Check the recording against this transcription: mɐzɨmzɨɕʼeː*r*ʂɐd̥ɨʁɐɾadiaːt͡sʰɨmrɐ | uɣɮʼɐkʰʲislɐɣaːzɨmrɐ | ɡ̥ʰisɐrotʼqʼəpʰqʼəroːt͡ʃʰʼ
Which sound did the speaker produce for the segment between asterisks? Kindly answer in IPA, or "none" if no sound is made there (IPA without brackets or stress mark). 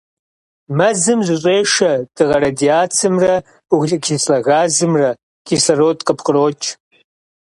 none